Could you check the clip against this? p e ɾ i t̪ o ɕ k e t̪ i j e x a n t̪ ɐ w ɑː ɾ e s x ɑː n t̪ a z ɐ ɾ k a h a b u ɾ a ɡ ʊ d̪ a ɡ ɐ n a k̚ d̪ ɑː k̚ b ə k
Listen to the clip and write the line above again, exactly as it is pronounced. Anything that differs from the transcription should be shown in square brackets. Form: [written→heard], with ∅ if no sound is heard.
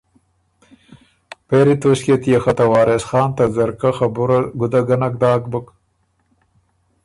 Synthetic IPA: p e ɾ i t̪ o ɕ k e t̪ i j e x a [n→∅] t̪ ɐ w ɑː ɾ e s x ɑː n t̪ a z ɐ ɾ k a [h→x] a b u ɾ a ɡ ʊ d̪ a ɡ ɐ n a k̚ d̪ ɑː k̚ b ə k